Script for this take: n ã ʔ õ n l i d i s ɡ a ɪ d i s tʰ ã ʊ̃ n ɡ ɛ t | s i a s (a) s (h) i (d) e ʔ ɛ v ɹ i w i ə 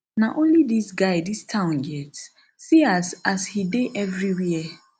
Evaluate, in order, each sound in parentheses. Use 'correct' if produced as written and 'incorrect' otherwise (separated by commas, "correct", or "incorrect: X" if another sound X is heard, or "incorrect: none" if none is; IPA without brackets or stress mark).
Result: correct, correct, correct